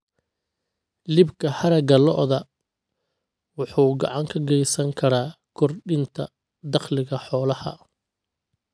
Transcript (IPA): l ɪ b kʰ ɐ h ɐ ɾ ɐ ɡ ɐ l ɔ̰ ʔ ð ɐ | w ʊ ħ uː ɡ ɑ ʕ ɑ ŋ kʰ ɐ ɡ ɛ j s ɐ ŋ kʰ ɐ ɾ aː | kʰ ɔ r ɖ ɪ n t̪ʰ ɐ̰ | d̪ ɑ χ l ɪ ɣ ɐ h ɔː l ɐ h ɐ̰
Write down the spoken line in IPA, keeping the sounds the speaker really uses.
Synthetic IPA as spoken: l ɪ b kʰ ɐ h ɐ ɾ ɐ ɡ ɐ l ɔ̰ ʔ ð ɐ | w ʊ ħ uː ɡ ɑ ʕ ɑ ŋ kʰ ɐ ɡ ɛ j s ɐ ŋ kʰ ɐ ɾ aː | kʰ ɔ r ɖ ɪ n t̪ʰ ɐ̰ | d̪ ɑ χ l ɪ ɣ ɐ ħ ɔː l ɐ h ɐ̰